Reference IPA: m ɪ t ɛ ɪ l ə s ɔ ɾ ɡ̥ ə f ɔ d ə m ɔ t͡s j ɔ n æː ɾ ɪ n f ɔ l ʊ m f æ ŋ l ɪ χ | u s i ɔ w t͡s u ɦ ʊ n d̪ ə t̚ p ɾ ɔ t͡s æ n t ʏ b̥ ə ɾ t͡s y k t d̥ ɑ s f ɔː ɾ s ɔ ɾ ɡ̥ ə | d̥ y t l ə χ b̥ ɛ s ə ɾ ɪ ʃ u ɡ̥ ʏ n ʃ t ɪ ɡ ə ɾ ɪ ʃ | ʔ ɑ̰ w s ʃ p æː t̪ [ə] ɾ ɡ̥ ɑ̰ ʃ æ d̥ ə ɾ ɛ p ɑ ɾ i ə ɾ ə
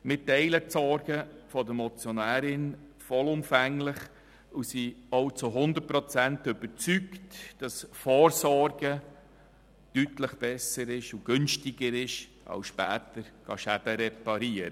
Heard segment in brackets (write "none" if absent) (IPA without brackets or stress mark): ə